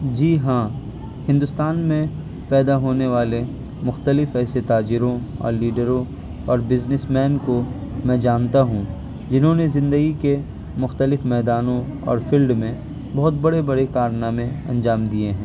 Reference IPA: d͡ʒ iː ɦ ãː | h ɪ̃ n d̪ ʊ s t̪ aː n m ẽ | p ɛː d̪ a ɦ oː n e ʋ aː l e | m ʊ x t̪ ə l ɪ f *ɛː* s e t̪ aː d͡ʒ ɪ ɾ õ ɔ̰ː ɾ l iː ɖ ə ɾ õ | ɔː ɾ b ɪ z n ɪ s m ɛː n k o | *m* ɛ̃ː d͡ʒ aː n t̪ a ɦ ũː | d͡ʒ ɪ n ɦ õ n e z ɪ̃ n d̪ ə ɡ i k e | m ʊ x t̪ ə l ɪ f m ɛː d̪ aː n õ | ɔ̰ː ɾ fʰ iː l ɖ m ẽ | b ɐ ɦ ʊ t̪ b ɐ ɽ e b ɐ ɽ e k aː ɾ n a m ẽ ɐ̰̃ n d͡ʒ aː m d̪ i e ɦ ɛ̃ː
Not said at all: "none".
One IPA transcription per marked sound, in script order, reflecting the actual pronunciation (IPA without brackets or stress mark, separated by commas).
ɛː, m